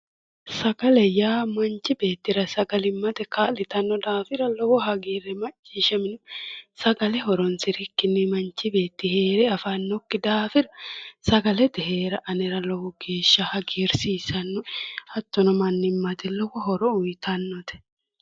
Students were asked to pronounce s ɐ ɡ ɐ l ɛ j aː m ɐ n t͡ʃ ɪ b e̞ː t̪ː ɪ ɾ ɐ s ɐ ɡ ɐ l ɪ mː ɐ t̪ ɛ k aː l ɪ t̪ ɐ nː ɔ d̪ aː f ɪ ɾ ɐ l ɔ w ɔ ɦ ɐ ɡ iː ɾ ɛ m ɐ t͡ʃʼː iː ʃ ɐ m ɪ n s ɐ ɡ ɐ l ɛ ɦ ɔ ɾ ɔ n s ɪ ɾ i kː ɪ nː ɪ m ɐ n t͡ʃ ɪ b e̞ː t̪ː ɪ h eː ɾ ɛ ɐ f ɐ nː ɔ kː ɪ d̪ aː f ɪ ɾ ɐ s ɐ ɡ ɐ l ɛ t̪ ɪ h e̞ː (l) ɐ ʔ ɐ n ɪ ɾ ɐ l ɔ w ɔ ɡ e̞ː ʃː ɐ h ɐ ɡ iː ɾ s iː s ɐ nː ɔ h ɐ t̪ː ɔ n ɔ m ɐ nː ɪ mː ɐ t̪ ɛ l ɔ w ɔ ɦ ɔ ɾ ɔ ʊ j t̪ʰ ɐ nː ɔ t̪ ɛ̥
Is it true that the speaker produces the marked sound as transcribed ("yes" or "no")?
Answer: no